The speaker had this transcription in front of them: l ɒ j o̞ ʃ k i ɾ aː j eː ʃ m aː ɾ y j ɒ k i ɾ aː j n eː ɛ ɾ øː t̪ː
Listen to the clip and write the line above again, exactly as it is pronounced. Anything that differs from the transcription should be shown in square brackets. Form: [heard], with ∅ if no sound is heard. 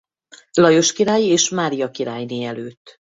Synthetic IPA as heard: l ɒ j o̞ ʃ k i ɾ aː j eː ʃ m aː ɾ [i] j ɒ k i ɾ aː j n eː ɛ [l] øː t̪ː